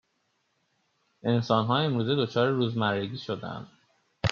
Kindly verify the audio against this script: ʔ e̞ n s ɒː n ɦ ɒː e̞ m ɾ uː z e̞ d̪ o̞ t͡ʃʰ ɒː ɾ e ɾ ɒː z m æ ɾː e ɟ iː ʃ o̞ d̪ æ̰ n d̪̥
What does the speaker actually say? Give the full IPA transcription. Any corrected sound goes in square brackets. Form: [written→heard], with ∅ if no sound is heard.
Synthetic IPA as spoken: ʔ e̞ n s ɒː n ɦ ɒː e̞ m ɾ uː z e̞ d̪ o̞ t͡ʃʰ ɒː ɾ e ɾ [ɒː→uː] z m æ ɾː e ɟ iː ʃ o̞ d̪ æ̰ n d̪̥

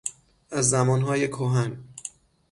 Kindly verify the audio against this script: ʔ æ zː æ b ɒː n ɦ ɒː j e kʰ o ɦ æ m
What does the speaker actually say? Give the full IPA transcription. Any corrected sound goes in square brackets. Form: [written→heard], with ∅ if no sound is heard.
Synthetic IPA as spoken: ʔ æ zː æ [b→m] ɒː n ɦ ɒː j e kʰ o ɦ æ [m→n]

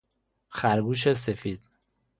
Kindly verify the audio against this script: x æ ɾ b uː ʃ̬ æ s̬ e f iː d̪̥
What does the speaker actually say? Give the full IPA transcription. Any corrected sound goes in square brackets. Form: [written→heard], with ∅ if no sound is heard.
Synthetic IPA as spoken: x æ ɾ [b→ɡ] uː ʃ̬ [æ→e] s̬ e f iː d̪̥

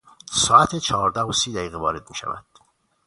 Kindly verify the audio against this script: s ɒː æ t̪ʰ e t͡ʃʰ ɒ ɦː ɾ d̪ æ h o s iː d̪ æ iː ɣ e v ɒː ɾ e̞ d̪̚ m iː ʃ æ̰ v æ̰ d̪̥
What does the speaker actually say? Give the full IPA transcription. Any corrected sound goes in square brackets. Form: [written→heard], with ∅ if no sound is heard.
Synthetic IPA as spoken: s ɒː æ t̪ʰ e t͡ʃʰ ɒ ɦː ɾ d̪ æ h o s iː d̪ æ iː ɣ e v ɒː ɾ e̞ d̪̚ m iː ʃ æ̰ v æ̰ d̪̥

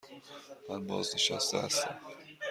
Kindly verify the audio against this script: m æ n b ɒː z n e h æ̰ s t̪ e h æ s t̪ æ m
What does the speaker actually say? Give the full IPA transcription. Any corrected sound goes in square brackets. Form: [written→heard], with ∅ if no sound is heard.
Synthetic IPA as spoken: m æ n b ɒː z n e [h→ʃ] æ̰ s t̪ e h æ s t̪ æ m

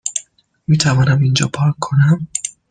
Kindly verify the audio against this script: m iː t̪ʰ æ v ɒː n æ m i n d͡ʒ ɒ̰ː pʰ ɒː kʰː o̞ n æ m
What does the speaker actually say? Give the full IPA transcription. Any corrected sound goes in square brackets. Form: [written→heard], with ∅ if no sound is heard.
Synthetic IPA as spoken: m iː t̪ʰ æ v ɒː n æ m i n d͡ʒ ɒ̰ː pʰ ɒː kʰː o̞ n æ m

